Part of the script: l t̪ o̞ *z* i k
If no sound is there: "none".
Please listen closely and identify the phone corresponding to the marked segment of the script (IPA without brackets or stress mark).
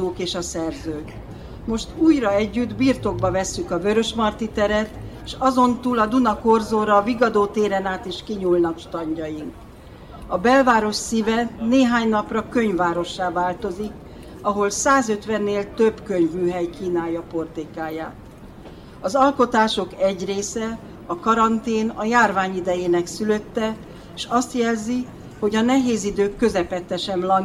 z